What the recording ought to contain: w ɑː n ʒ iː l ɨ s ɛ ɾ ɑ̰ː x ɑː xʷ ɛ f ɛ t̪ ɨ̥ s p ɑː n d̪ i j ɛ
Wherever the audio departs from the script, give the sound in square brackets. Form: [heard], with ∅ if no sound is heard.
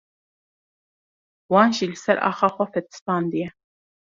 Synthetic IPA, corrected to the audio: w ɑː n ʒ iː l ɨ s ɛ ɾ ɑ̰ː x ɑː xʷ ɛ f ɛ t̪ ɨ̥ s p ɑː n d̪ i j ɛ